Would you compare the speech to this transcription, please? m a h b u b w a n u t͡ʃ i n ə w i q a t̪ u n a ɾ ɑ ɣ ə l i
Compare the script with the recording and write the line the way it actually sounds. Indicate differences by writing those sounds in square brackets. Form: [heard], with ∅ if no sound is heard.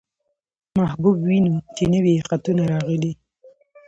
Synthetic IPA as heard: m a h b u b w [i] n u t͡ʃ [e] n ə w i q a t̪ u n a ɾ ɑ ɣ ə l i